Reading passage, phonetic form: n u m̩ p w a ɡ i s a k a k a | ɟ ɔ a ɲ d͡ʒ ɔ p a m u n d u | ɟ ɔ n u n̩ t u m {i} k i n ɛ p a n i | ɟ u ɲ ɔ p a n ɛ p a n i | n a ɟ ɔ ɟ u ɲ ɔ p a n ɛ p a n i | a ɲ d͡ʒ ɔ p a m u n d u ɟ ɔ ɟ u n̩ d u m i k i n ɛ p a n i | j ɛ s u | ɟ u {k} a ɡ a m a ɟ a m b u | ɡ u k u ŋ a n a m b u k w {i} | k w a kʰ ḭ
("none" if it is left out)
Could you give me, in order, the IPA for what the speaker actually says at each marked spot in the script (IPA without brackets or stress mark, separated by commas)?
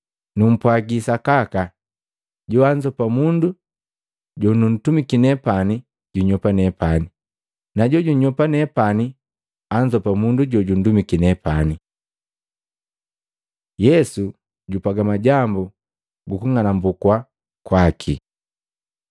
i, p, a